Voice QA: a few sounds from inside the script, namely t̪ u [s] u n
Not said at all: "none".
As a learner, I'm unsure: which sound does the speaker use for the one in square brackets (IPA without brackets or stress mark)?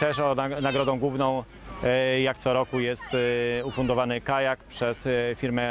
f